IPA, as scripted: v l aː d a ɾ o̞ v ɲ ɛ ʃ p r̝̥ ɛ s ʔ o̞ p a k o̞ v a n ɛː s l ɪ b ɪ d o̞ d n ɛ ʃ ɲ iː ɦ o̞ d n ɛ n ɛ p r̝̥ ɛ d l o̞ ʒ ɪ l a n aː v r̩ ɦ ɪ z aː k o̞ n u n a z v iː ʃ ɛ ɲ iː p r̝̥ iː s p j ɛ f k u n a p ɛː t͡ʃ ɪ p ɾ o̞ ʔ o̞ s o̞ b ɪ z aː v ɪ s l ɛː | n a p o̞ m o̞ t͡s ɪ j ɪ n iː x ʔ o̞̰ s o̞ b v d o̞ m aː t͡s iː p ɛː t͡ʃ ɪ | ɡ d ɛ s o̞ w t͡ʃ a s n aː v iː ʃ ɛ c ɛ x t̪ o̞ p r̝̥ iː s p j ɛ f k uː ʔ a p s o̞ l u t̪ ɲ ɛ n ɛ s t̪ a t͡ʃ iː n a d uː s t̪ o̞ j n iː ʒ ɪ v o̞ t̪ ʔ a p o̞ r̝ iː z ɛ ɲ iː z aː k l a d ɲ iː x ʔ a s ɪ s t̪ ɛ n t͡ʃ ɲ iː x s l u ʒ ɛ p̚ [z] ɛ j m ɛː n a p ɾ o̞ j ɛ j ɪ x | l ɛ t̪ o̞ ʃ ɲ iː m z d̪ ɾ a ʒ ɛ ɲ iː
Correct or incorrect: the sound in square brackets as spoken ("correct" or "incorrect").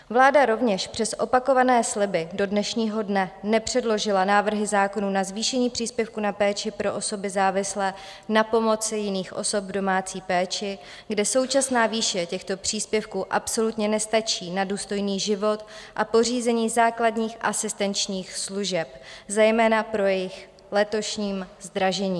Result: correct